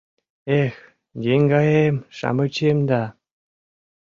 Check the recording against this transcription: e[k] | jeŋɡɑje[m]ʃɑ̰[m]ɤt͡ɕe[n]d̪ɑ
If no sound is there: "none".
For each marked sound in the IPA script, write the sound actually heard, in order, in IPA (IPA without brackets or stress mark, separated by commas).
x, m, m, m